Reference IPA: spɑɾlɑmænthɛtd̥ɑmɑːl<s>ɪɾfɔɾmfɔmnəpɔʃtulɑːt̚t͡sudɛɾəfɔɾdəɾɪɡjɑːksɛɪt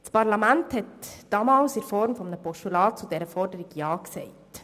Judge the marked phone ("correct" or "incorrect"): correct